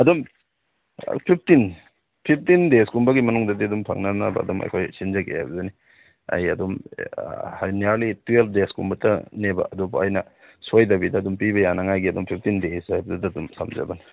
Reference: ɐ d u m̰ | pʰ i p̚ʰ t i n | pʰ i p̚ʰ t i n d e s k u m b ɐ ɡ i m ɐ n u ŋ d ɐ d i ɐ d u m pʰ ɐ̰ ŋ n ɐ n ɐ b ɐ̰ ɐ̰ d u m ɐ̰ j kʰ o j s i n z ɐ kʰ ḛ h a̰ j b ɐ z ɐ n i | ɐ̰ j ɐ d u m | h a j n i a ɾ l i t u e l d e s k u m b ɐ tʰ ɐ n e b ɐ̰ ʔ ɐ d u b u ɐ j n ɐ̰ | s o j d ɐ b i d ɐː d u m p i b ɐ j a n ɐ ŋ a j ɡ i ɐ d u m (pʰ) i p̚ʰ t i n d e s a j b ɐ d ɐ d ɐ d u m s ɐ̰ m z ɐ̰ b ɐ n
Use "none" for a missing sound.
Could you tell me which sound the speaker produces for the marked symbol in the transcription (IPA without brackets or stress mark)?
pʰ